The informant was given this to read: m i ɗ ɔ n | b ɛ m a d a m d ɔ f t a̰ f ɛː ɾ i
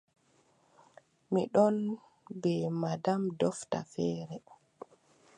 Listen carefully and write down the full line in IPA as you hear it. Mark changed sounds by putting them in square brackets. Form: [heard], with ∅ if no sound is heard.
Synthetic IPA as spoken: m i ɗ ɔ n | b ɛ m a d a m d ɔ f t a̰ f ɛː ɾ [ɛ]